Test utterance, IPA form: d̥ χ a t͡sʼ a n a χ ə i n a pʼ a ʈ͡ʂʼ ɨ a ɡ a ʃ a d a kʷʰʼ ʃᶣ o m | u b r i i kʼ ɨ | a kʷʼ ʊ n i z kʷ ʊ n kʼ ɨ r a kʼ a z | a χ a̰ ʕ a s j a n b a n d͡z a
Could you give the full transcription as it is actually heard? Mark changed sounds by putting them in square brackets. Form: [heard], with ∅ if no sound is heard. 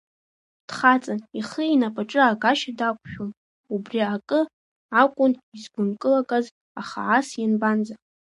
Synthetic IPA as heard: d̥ χ a t͡sʼ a n [i] χ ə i n a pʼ a ʈ͡ʂʼ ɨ a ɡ a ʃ a d a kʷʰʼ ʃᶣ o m | u b r i [a] kʼ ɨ | a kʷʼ ʊ n i z [ɡʷ] ʊ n kʼ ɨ [l] a kʼ a z | a χ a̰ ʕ a s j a n b a n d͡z a